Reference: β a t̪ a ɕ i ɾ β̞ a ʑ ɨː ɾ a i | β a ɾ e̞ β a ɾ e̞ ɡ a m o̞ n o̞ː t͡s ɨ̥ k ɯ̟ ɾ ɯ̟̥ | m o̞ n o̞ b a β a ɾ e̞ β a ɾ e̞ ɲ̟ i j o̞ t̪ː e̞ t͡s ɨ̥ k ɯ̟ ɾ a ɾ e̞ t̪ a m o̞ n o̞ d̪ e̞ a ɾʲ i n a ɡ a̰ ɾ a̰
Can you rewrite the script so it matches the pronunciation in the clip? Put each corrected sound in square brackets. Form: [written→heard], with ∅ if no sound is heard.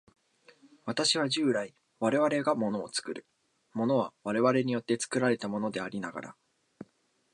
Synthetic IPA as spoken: β a t̪ a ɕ i [ɾ→∅] β̞ a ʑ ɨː ɾ a i | β a ɾ e̞ β a ɾ e̞ ɡ a m o̞ n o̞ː t͡s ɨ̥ k ɯ̟ ɾ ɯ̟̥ | m o̞ n o̞ [b→β] a β a ɾ e̞ β a ɾ e̞ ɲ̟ i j o̞ t̪ː e̞ t͡s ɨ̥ k ɯ̟ ɾ a ɾ e̞ t̪ a m o̞ n o̞ d̪ e̞ a ɾʲ i n a ɡ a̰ ɾ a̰